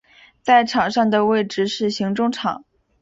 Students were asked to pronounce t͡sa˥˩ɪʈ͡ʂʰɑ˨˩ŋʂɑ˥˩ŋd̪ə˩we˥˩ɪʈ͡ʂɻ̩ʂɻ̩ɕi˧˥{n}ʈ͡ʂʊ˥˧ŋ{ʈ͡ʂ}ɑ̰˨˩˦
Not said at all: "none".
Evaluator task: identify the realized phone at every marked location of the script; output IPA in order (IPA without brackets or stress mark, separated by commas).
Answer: ŋ, ʈ͡ʂʰ